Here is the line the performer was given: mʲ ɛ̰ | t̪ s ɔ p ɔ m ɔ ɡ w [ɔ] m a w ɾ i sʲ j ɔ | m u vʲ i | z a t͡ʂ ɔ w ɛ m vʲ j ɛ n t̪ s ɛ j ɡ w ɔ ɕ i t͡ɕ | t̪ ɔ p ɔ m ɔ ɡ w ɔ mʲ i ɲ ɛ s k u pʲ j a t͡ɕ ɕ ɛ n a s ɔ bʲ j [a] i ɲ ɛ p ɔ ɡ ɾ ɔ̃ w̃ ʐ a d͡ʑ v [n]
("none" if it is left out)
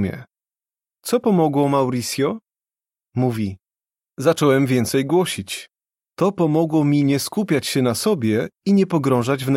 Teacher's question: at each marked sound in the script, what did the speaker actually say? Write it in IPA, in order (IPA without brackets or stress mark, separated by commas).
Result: ɔ, ɛ, n